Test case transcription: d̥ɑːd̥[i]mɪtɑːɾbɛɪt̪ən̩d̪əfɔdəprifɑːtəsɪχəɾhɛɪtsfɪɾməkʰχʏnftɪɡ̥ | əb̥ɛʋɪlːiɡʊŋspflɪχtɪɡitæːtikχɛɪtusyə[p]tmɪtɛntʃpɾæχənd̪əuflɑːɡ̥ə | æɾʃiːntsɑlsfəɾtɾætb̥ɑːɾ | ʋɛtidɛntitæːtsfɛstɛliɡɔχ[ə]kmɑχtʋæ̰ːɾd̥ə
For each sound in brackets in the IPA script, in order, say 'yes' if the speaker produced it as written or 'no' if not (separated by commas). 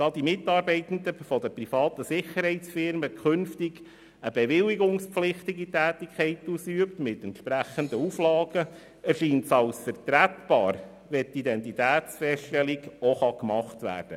yes, yes, no